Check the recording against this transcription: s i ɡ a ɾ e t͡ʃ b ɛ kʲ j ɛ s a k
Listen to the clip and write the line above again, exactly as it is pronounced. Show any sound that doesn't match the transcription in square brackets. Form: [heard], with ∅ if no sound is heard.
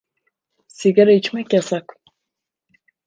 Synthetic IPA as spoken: s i ɡ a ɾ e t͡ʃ [m] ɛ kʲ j [a] s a k